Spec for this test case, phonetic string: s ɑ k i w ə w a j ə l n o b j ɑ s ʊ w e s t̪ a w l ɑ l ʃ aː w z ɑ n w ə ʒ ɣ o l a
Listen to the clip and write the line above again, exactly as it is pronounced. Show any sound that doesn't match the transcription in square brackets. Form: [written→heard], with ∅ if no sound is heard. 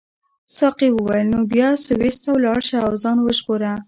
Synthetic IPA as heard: s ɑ [k→q] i w ə w a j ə l n o b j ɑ s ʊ w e s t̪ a w l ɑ [l→ɽ] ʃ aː w z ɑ n w ə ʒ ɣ o [l→ɾ] a